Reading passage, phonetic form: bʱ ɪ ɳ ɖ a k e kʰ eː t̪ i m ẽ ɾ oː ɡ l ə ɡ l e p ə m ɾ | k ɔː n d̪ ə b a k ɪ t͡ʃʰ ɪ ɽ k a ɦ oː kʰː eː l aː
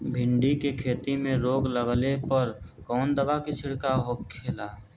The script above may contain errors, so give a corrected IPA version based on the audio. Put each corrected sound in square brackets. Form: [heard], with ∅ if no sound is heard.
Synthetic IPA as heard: bʱ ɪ ɳ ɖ [i] k e kʰ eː t̪ i m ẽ ɾ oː ɡ l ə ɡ l e p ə [∅] ɾ | k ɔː n d̪ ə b a k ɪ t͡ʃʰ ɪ ɽ k a ɦ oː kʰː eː l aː